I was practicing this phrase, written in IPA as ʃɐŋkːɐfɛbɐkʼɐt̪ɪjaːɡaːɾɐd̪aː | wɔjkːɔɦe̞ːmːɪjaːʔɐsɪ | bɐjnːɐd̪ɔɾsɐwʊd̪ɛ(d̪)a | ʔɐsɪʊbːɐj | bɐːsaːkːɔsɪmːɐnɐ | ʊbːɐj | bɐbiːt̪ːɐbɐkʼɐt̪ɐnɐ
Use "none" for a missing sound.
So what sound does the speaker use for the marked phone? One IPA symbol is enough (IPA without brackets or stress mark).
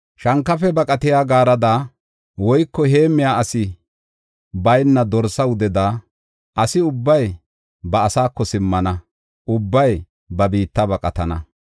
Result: d̪